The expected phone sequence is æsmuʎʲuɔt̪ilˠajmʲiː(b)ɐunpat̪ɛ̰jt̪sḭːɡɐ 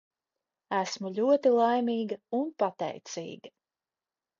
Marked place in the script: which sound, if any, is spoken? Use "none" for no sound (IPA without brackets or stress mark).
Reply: ɡ